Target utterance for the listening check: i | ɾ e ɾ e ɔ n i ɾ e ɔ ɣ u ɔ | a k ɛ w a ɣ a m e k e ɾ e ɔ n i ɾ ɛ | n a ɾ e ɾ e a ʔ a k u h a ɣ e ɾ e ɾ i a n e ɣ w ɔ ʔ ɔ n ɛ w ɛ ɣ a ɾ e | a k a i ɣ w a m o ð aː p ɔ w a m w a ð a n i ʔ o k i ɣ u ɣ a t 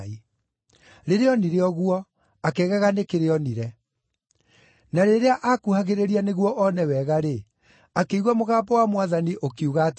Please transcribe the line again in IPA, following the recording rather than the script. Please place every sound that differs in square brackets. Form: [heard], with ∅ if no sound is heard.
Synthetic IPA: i | ɾ e ɾ e ɔ n i ɾ e ɔ ɣ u ɔ | a k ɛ [ɣ] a ɣ a [n] e k e ɾ e ɔ n i ɾ ɛ | n a ɾ e ɾ e a ʔ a k u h a ɣ e ɾ e ɾ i a n e ɣ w ɔ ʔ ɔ n ɛ w ɛ ɣ a ɾ e | a k [e] i ɣ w a m o [ɣ] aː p ɔ w a m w a ð a n i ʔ o k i [∅] u ɣ a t

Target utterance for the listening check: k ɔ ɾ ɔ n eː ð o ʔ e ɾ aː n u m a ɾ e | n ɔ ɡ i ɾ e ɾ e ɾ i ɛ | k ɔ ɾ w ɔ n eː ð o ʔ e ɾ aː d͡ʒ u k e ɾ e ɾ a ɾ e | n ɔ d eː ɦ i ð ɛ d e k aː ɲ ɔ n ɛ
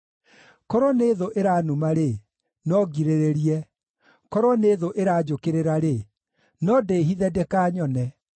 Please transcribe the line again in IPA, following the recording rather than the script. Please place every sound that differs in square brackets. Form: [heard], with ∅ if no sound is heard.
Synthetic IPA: k ɔ ɾ ɔ n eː ð o ʔ e ɾ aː n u m a ɾ e | n ɔ ɡ i ɾ e ɾ e ɾ i ɛ | k ɔ ɾ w ɔ n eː ð o ʔ e ɾ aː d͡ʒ [o] k e ɾ e ɾ a ɾ e | n ɔ d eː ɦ i ð ɛ d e k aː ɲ ɔ n ɛ

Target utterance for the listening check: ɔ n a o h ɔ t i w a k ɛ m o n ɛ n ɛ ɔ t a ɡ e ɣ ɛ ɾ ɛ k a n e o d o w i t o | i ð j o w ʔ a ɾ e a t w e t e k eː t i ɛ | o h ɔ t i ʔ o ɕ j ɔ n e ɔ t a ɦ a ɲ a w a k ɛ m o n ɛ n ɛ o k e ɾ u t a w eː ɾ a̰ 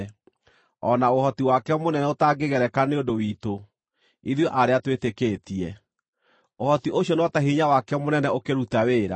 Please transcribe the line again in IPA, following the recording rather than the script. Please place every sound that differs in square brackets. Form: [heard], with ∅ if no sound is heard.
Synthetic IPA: ɔ n a o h ɔ t i w a k ɛ m o n ɛ n ɛ [o] t a ɡ e ɣ ɛ ɾ ɛ k a n e o d o w i t o | i ð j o [∅] ʔ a ɾ e a t w e t e k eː t i ɛ | o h ɔ t i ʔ o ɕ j ɔ n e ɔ t a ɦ [i] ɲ a w a k ɛ m o n ɛ n ɛ o k e ɾ u t a w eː ɾ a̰

